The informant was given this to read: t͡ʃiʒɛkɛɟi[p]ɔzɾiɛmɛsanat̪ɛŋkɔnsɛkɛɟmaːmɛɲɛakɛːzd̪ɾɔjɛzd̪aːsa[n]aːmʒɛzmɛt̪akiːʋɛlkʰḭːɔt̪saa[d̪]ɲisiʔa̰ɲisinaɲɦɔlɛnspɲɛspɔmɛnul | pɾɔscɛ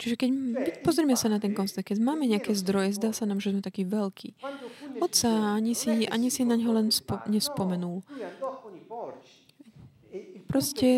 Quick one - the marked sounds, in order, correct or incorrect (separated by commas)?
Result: correct, correct, incorrect